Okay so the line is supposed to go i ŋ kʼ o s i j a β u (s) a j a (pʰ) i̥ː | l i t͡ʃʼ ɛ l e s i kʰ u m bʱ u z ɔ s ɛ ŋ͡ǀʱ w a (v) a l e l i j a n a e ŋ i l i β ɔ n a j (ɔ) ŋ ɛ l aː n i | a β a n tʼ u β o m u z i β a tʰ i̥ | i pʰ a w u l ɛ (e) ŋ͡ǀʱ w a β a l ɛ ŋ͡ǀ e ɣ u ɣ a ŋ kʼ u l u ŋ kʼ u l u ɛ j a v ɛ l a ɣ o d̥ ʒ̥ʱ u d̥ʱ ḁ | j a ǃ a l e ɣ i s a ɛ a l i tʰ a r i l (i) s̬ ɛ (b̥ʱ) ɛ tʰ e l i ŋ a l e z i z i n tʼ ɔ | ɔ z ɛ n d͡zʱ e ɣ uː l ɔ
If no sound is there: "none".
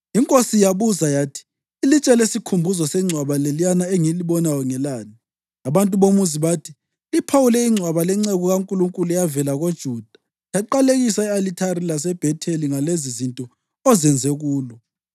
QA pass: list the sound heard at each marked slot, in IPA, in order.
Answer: z, tʰ, β, ɔ, i, a, b̥ʱ

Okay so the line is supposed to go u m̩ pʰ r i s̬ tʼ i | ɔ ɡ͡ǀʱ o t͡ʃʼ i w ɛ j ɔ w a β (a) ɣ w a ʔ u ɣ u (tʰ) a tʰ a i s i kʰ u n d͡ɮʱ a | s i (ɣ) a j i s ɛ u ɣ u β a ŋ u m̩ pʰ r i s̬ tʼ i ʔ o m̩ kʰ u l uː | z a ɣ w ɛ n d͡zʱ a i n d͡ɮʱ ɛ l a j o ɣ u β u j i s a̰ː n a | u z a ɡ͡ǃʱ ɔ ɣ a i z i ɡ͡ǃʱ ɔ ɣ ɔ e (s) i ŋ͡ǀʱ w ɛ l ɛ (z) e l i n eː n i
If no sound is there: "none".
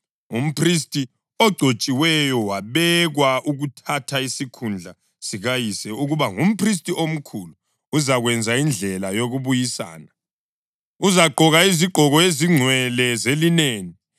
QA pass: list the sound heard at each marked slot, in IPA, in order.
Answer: ɛ, tʰ, ɣ, z, z

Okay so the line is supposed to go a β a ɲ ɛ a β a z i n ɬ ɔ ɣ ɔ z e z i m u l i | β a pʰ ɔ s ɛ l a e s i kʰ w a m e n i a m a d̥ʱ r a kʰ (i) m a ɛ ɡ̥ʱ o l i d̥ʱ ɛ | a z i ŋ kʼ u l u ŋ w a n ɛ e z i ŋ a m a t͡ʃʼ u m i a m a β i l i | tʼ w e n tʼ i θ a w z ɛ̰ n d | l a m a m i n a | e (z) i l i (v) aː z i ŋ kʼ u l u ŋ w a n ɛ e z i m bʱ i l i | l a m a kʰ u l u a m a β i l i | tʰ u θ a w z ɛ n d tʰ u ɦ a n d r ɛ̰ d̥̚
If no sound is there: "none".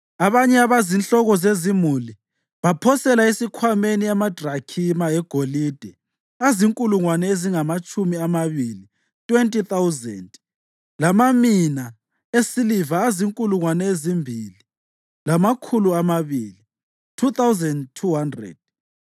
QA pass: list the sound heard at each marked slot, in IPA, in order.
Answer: i, s, v

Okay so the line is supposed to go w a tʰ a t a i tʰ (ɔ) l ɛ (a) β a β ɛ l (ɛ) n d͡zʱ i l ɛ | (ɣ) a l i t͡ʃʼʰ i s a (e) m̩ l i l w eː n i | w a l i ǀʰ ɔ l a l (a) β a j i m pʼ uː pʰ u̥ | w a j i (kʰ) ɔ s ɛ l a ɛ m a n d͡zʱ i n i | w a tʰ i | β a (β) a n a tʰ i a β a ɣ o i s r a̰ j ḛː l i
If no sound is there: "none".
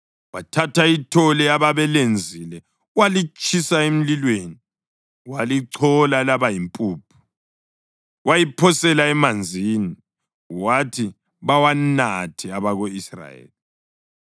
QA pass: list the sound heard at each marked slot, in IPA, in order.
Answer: ɔ, a, e, w, e, a, pʰ, w

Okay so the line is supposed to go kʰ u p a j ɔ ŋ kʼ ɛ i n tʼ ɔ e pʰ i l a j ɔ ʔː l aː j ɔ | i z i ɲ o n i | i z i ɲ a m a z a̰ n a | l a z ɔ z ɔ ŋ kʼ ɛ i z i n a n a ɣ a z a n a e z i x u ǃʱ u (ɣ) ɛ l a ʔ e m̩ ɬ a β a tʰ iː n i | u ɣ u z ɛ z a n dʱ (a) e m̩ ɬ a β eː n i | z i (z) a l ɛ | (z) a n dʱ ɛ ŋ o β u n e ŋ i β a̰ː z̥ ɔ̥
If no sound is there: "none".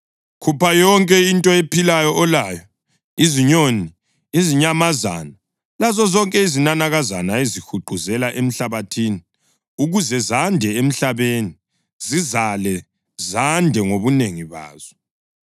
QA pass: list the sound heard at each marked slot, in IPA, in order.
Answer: z, ɛ, z, z

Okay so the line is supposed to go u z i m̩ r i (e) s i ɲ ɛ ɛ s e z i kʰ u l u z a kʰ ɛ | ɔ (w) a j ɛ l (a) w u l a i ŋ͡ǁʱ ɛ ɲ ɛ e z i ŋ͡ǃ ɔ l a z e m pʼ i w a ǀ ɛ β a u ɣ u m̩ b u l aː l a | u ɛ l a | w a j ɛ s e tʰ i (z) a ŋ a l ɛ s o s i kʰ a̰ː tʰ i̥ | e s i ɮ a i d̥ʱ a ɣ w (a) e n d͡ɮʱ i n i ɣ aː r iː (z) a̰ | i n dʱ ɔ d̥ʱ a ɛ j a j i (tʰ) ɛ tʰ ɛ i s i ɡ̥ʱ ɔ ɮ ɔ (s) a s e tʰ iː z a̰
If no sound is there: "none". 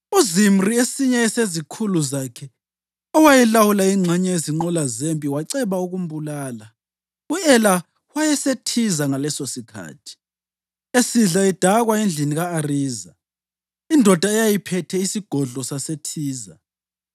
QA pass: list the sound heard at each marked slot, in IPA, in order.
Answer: e, w, a, z, a, z, pʰ, s

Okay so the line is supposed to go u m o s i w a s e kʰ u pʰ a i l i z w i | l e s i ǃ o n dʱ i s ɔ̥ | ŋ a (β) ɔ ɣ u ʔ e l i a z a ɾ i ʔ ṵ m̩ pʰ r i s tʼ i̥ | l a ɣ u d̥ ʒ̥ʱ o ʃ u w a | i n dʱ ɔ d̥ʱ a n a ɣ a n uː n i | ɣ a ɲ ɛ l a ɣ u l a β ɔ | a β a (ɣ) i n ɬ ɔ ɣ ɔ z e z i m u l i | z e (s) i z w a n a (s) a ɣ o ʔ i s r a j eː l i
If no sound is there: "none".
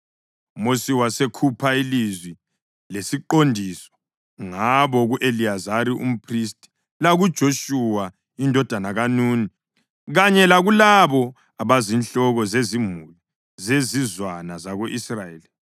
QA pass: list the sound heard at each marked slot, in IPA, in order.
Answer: β, z, z, z

